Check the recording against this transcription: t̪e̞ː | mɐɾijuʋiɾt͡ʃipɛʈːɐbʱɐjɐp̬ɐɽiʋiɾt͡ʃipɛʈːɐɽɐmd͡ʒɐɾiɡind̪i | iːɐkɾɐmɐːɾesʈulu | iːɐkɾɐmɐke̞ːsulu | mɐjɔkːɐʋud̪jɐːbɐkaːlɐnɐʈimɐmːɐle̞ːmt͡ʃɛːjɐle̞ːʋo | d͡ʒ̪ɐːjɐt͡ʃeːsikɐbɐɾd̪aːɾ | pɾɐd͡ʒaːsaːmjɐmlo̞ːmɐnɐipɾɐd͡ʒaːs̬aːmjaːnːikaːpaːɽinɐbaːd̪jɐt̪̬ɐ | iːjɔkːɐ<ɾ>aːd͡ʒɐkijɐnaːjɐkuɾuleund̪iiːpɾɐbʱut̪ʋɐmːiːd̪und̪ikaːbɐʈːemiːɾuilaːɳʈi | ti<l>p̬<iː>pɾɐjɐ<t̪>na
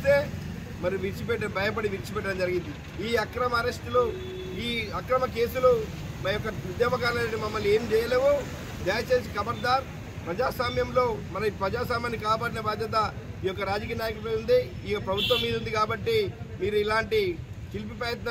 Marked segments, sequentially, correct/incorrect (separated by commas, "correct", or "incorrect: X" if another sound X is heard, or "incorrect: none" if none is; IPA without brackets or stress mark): correct, correct, incorrect: i, correct